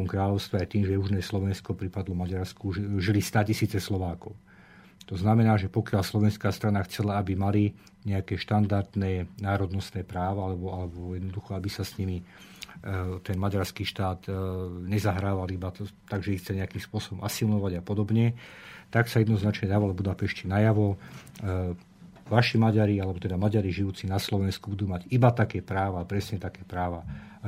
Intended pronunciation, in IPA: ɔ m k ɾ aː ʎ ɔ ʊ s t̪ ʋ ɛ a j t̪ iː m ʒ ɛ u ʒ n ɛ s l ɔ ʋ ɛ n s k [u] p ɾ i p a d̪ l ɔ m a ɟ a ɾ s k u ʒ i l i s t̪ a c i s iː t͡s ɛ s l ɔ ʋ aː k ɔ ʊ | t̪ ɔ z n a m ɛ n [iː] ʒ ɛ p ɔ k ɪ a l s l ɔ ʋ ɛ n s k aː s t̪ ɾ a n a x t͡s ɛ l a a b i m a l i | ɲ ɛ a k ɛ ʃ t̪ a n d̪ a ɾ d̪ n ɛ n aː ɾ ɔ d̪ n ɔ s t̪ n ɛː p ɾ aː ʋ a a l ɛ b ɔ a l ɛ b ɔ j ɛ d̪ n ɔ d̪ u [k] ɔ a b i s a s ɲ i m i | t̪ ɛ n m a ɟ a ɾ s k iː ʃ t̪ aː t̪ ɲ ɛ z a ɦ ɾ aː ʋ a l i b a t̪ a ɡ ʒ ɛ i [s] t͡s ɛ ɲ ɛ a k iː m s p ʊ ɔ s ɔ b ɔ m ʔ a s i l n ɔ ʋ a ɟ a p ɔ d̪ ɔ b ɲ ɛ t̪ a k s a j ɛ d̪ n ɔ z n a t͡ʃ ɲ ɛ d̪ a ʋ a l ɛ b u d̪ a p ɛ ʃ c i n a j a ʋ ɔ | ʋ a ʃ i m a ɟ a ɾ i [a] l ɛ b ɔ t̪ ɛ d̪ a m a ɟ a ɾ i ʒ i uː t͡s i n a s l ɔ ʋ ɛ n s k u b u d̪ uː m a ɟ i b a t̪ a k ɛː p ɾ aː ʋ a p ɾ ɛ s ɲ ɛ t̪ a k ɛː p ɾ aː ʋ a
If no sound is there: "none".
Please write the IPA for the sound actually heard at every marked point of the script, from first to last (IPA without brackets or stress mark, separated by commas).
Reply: ɔ, aː, x, x, a